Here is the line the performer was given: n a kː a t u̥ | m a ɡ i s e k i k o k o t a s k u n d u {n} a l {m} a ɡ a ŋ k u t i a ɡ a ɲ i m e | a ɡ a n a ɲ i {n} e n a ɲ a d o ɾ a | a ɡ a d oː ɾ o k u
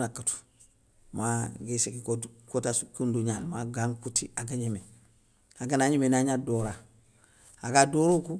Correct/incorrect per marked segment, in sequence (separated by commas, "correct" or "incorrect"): incorrect, correct, incorrect